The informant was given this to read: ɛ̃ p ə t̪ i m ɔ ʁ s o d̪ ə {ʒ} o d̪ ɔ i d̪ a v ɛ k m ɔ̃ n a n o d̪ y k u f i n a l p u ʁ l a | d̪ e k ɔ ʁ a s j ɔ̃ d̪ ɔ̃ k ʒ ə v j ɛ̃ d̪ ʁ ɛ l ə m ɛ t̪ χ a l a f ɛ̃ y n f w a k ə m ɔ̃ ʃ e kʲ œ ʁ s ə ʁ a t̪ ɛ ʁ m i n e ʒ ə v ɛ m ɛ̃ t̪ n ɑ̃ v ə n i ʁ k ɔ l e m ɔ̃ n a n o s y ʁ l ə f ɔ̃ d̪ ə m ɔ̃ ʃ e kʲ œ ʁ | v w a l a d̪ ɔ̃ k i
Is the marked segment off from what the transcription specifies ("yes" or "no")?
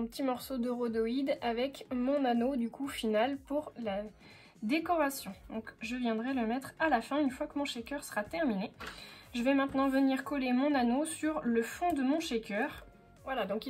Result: yes